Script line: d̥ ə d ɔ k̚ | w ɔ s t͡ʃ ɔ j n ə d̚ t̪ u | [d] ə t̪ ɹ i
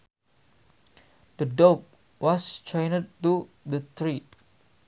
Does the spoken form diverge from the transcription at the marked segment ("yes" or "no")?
no